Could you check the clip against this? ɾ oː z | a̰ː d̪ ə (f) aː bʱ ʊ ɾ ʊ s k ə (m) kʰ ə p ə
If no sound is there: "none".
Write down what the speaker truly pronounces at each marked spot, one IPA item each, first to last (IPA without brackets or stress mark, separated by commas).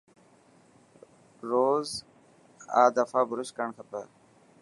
f, ɳ